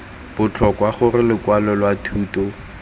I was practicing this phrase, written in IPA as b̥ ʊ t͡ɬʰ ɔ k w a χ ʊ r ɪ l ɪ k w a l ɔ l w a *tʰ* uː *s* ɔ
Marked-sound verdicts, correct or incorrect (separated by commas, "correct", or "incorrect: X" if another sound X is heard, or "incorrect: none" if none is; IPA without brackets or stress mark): correct, incorrect: t